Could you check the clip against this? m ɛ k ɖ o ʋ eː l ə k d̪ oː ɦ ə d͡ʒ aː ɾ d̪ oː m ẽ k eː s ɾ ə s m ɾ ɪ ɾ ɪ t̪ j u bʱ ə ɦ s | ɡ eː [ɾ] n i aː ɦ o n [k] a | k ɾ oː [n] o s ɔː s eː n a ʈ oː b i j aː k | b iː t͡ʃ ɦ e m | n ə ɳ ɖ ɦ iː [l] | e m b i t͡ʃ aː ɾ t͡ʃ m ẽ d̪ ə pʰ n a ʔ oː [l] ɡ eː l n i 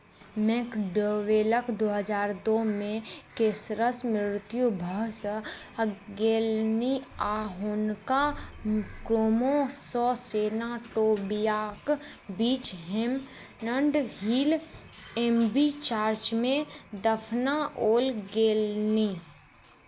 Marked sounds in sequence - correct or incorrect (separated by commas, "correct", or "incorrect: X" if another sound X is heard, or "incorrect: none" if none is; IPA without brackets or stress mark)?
incorrect: l, correct, incorrect: m, correct, correct